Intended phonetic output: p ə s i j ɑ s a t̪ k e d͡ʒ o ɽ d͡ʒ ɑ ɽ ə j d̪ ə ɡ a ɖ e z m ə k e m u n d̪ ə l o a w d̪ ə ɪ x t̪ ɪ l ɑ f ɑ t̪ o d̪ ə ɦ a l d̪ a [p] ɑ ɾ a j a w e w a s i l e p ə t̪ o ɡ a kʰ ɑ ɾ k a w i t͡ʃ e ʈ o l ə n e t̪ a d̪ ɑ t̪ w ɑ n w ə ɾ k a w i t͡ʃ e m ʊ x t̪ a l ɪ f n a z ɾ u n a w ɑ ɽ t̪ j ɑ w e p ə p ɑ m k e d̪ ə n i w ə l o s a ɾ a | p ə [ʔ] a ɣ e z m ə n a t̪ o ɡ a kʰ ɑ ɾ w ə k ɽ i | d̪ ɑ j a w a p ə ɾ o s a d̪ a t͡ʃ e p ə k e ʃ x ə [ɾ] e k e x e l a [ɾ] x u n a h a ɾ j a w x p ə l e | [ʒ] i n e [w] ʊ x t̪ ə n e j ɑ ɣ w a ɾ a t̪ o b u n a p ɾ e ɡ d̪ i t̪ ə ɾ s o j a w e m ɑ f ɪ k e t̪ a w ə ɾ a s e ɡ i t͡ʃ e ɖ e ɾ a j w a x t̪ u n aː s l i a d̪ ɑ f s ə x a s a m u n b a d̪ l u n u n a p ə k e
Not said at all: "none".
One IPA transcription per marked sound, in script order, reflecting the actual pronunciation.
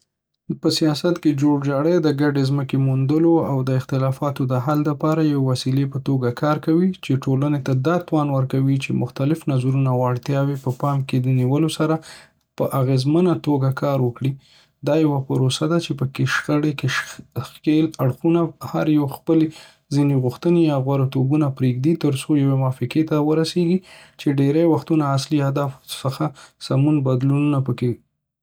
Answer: p, ʔ, ɽ, ɽ, z, ɣ

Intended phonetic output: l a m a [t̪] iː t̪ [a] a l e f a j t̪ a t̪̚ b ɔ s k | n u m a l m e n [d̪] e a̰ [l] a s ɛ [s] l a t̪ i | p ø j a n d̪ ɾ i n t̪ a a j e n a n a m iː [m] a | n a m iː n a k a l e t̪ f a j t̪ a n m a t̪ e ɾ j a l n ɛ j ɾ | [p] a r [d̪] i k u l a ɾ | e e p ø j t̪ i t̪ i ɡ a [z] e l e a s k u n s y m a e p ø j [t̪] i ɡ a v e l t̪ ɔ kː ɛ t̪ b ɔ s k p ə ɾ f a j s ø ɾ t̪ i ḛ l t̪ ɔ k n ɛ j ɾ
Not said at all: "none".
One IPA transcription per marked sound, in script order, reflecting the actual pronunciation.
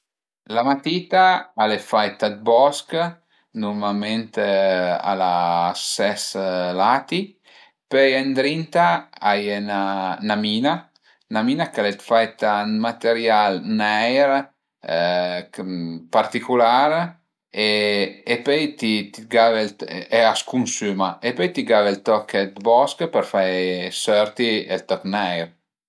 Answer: t̪, a, t̪, l, s, n, p, t̪, v, t̪

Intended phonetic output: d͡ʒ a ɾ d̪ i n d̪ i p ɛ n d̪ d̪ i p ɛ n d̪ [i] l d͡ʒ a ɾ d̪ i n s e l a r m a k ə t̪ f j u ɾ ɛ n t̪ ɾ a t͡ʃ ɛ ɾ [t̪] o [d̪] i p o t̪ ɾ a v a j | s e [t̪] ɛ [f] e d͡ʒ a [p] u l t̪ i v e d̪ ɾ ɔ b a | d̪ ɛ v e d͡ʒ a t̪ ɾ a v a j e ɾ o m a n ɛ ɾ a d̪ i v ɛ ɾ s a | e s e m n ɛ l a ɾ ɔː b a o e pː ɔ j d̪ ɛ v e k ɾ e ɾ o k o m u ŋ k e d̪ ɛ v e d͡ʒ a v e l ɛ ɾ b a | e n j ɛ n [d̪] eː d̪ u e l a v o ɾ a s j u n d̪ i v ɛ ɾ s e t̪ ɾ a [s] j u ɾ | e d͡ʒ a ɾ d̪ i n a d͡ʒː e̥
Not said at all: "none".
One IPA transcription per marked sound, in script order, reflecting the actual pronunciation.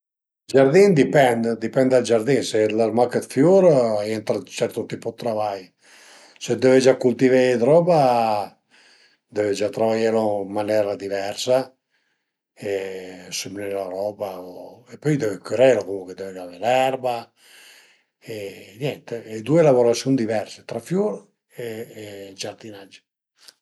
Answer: a, t̪, t̪, d̪, v, k, t̪, f

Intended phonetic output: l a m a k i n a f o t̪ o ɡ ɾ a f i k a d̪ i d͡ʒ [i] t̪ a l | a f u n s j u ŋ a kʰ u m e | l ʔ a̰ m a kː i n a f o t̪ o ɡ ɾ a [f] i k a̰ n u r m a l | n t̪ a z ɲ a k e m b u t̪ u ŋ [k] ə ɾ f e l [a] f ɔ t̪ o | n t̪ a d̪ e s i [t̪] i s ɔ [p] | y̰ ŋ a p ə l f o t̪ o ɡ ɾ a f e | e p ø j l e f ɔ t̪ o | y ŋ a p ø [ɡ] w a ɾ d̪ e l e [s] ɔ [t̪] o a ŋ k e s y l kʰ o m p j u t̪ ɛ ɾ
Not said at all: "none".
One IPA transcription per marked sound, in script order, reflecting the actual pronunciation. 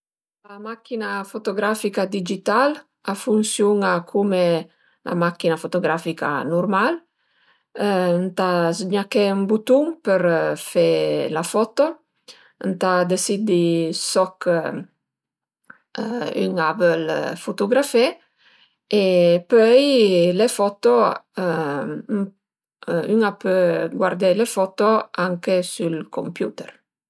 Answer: i, f, p, a, d̪, k, ɡ, f, t̪

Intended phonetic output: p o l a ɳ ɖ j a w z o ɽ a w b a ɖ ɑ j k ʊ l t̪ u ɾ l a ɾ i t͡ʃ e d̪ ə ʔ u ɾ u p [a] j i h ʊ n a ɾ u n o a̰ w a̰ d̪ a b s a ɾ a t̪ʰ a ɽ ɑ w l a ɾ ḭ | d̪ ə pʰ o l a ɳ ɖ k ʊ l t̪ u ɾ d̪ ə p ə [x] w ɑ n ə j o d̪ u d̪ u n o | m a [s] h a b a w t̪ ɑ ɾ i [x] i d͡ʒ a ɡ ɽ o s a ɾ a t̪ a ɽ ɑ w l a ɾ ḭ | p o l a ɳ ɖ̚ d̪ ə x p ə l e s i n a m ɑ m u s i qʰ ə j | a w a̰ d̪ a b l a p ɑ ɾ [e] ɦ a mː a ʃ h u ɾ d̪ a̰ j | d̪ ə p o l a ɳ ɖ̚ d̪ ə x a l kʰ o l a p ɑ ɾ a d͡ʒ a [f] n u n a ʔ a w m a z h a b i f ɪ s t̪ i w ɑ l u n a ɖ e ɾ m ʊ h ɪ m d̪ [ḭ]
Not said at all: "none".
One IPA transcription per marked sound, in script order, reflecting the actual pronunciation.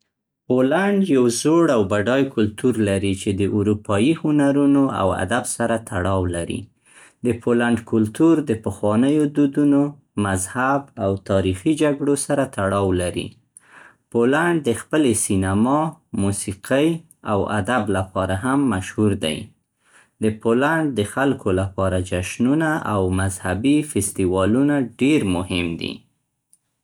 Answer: ɑ, x, z, x, a, ʃ, ḭ

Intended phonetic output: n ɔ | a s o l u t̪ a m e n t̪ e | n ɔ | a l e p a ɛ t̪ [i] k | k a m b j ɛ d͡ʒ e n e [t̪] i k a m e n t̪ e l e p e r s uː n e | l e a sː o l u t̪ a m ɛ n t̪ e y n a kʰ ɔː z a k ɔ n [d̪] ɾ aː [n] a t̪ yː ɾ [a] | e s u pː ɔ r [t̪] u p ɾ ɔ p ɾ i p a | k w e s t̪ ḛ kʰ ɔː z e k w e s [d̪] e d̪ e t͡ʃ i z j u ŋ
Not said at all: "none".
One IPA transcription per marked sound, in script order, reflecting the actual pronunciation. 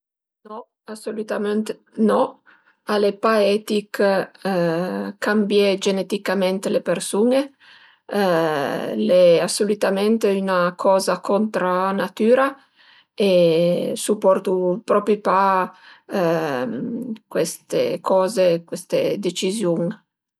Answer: i, t̪, t̪, n, a, t̪, t̪

